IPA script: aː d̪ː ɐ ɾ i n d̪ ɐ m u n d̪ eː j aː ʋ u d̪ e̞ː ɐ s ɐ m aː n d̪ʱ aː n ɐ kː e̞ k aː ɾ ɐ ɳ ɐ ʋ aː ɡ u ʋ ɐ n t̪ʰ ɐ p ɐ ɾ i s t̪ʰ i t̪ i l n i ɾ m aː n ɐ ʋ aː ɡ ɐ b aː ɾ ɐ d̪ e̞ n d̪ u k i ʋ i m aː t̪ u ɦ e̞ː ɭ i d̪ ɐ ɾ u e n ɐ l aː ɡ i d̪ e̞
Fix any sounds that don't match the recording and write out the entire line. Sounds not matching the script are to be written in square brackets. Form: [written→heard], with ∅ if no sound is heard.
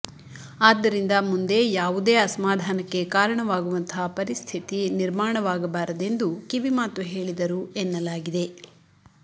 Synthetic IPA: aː d̪ː ɐ ɾ i n d̪ ɐ m u n d̪ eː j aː ʋ u d̪ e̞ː ɐ s ɐ m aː [n→∅] d̪ʱ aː n ɐ kː e̞ k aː ɾ ɐ ɳ ɐ ʋ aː ɡ u ʋ ɐ n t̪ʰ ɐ p ɐ ɾ i s t̪ʰ i t̪ i [l→∅] n i ɾ m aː [n→ɳ] ɐ ʋ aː ɡ ɐ b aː ɾ ɐ d̪ e̞ n d̪ u k i ʋ i m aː t̪ u ɦ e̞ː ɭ i d̪ ɐ ɾ u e [n→nː] ɐ l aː ɡ i d̪ e̞

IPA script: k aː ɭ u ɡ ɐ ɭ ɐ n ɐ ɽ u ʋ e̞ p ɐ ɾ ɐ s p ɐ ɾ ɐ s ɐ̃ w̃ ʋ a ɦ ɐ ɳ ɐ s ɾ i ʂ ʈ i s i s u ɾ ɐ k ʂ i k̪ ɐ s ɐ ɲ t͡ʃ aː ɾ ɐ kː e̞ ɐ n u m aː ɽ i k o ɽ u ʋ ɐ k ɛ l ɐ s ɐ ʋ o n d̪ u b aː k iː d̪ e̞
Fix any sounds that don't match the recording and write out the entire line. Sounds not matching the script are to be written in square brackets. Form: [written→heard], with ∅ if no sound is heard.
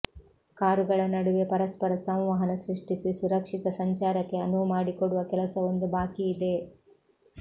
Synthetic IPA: k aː [ɭ→ɾ] u ɡ ɐ ɭ ɐ n ɐ ɽ u ʋ e̞ p ɐ ɾ ɐ s p ɐ ɾ ɐ s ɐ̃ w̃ ʋ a ɦ ɐ [ɳ→n] ɐ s ɾ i ʂ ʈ i s i s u ɾ ɐ k ʂ i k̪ ɐ s ɐ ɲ t͡ʃ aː ɾ ɐ kː e̞ ɐ n u m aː ɽ i k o ɽ u ʋ ɐ k ɛ l ɐ s ɐ ʋ o n d̪ u b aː k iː d̪ e̞

